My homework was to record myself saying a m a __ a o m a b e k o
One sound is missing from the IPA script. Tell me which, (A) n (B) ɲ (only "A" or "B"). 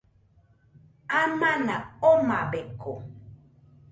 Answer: A